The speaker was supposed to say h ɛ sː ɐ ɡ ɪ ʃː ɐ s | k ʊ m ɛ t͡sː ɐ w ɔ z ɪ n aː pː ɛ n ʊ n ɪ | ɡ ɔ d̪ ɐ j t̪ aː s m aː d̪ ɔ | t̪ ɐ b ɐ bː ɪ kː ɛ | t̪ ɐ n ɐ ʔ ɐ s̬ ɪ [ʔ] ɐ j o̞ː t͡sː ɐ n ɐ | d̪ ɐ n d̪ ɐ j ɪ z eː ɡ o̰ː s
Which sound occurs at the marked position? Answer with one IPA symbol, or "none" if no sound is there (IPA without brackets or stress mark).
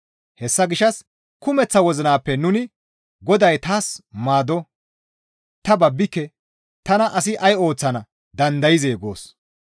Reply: ʔ